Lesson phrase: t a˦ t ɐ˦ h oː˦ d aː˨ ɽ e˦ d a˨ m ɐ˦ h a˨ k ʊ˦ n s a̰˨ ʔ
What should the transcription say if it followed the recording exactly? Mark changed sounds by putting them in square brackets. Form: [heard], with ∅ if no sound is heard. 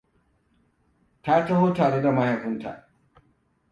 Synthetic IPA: t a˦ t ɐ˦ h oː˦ [t] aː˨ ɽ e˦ d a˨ m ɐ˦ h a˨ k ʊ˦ n [t] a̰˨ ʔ